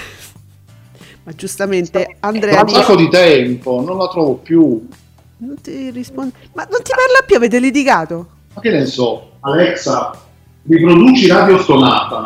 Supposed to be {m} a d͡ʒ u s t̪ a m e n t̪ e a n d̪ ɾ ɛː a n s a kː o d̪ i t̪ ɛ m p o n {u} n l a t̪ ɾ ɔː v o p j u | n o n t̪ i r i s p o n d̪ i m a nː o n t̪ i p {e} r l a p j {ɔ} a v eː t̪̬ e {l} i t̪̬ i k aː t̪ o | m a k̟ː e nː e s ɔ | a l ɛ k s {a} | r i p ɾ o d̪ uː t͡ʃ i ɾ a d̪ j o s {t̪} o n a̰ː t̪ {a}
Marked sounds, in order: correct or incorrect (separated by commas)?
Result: correct, incorrect, incorrect, incorrect, correct, correct, correct, correct